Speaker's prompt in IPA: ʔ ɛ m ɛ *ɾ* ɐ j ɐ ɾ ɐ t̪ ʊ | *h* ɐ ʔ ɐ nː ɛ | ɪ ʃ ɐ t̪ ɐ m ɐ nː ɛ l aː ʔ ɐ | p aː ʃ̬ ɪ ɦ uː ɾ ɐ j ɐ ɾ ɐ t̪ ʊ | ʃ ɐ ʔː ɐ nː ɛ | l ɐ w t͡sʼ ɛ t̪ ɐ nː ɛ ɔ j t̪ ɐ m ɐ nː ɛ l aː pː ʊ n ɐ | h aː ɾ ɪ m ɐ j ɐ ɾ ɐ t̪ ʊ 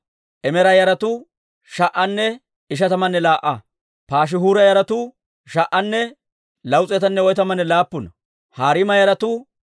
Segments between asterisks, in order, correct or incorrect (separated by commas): correct, incorrect